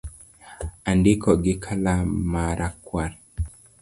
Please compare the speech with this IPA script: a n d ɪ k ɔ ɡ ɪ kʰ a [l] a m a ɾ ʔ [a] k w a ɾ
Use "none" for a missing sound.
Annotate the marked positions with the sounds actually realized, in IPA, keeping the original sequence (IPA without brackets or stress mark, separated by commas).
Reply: l, a